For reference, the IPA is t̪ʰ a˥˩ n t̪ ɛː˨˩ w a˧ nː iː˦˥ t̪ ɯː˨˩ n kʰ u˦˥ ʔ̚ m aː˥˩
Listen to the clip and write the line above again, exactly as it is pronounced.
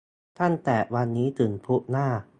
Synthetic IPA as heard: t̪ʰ a˥˩ n t̪ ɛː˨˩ w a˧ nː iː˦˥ t̪ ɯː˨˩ n pʰ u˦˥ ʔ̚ n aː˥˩